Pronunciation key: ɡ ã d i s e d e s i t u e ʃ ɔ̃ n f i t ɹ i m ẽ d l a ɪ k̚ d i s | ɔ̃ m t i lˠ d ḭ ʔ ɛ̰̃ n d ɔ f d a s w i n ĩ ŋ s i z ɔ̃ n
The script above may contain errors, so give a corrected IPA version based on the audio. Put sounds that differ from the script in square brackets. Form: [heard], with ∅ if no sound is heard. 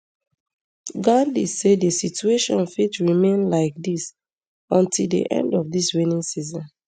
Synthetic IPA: ɡ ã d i s e d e s i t u e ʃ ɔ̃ n f i t ɹ i m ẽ [n] l a ɪ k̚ d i s | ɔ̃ [n] t i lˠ d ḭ ʔ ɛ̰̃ n d ɔ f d [i] s w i n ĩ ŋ s i z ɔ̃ n